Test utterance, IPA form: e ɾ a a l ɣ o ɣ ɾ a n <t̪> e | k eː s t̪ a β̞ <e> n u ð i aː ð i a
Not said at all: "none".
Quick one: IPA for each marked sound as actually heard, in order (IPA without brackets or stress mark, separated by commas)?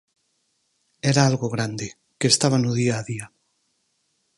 d̪, a